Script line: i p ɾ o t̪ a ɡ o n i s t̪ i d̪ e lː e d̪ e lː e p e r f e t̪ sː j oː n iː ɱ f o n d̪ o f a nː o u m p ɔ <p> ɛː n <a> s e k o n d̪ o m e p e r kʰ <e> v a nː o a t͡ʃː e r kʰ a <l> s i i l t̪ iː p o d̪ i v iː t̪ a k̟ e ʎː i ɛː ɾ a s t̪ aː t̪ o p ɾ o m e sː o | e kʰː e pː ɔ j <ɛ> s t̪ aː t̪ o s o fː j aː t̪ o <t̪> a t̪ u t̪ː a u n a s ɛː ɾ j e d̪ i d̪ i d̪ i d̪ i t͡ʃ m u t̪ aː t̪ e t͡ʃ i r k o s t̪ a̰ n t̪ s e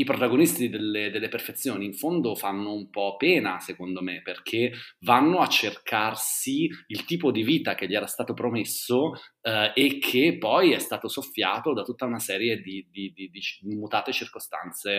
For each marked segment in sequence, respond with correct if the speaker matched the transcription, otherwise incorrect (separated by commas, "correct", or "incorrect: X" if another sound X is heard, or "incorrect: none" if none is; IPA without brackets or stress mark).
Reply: correct, correct, correct, incorrect: r, correct, incorrect: d̪